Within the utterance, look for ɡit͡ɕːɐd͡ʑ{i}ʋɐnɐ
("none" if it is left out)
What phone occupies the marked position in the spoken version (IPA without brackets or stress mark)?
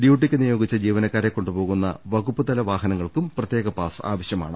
iː